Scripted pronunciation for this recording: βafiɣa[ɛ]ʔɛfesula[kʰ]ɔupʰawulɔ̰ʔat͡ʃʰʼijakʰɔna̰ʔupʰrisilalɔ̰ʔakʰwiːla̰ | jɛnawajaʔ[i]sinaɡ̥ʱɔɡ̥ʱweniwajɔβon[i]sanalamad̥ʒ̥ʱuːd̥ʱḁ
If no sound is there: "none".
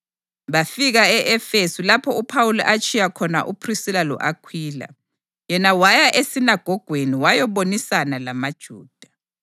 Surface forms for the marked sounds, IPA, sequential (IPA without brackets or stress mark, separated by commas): ɛ, pʰ, e, i